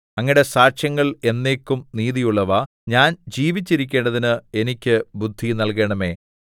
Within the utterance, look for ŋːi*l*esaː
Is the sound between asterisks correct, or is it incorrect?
incorrect